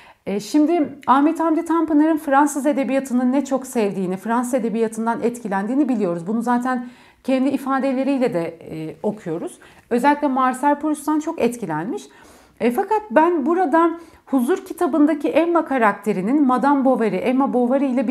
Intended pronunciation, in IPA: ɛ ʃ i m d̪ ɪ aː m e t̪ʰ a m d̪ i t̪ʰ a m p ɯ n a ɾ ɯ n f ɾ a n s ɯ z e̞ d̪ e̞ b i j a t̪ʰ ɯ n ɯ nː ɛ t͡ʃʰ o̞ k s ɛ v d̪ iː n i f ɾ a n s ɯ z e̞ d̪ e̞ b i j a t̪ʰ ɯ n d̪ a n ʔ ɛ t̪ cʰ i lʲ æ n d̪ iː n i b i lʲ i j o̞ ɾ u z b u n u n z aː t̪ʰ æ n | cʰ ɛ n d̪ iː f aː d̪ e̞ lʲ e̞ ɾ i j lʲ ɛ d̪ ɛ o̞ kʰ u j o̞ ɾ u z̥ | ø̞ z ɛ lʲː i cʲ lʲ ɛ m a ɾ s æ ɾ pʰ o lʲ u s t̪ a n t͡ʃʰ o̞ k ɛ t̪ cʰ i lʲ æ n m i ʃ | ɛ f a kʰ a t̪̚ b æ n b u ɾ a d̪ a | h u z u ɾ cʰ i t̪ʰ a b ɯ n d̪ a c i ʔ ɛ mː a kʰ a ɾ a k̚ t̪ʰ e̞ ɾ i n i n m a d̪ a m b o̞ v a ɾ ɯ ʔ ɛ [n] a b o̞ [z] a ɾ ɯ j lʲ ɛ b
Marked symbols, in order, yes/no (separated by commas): no, no